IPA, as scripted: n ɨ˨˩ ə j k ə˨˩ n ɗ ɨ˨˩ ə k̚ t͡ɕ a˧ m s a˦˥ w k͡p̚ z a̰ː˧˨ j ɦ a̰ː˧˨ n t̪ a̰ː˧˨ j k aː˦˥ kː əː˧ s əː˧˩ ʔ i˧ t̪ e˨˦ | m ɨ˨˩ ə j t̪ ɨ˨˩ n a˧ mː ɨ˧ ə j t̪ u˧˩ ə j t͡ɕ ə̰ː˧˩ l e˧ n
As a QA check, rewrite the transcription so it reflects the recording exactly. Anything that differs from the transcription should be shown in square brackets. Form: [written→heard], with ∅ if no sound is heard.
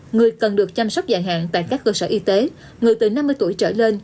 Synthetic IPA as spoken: [n→ŋ] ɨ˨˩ ə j k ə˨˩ n ɗ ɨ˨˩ ə k̚ t͡ɕ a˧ m s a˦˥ w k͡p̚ z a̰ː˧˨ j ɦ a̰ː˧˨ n t̪ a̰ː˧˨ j k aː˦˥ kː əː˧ s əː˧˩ ʔ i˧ t̪ e˨˦ | [m→ŋ] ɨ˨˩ ə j t̪ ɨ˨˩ n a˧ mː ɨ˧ ə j t̪ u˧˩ ə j t͡ɕ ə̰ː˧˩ l e˧ n